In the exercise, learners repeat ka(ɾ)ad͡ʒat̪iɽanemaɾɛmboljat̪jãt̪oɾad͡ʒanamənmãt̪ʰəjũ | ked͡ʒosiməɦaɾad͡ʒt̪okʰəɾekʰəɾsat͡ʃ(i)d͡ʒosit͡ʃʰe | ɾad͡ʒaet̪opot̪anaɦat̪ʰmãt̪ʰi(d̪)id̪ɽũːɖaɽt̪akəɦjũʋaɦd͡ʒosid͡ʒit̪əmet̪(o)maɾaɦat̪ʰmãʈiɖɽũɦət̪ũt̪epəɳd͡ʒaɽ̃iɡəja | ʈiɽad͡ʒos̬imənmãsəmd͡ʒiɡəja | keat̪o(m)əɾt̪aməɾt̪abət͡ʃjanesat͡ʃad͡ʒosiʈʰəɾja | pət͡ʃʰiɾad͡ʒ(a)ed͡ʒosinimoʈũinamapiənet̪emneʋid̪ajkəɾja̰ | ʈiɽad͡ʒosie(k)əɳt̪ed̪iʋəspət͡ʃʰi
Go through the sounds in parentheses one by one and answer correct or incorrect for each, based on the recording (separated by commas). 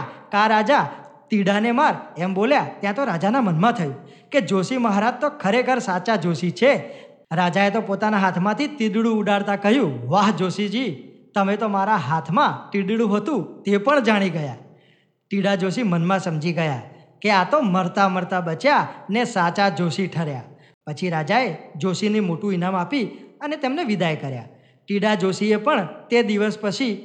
correct, incorrect, incorrect, correct, correct, correct, incorrect